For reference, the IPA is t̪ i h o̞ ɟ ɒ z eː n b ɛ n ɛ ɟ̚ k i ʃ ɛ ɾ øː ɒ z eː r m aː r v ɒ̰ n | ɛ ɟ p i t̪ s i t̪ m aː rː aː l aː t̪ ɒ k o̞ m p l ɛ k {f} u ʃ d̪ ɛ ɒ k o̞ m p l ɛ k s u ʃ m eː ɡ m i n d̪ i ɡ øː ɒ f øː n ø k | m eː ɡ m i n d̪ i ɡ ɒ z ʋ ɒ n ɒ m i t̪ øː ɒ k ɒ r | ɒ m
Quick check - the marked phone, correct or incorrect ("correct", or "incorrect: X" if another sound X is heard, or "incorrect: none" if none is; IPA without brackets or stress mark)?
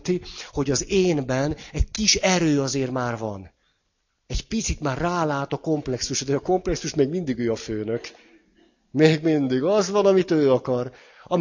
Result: incorrect: s